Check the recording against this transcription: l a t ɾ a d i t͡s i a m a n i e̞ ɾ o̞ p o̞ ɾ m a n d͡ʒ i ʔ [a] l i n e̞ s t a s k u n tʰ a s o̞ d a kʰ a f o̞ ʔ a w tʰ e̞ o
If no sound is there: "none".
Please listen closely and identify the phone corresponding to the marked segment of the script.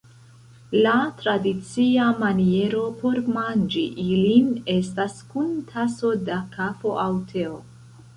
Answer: i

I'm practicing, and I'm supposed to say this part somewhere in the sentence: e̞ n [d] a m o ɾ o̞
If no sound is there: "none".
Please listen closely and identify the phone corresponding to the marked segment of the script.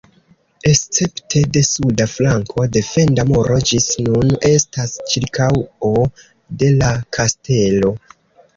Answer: d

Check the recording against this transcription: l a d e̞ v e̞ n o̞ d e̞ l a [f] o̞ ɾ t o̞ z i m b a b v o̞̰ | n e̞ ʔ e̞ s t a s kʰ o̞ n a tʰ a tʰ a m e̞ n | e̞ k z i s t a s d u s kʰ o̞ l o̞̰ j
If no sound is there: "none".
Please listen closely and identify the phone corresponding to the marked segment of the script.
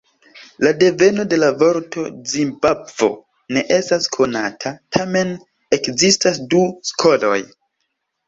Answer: v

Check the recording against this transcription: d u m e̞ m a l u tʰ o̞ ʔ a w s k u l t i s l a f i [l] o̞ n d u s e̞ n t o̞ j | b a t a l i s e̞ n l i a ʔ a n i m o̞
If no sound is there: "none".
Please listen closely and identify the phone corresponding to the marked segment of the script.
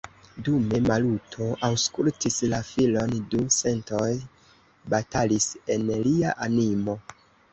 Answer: l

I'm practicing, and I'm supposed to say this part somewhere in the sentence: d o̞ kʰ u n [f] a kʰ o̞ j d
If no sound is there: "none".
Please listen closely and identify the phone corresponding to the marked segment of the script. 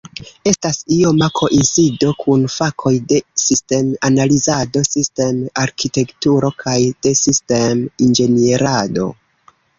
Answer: f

